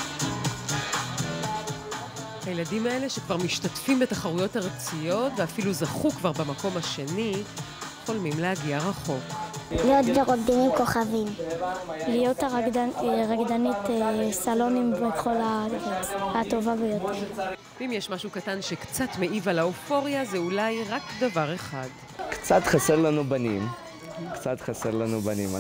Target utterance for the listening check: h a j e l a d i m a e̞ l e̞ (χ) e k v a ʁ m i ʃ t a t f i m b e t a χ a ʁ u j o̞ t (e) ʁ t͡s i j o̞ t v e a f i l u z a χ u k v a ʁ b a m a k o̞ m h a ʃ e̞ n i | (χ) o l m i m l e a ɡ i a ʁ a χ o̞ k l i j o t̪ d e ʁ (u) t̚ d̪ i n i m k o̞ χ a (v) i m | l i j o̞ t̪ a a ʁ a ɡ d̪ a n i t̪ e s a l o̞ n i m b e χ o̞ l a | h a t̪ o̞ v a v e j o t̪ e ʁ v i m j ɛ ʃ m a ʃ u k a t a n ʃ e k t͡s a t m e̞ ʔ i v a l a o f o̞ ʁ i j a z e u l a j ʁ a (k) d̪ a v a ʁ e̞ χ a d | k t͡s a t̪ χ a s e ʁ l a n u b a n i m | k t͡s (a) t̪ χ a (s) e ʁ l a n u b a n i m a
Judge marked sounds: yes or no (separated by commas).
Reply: no, no, yes, no, yes, yes, yes, yes